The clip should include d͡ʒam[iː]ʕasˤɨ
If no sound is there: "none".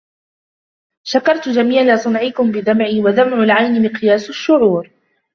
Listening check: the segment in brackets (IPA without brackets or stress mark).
iː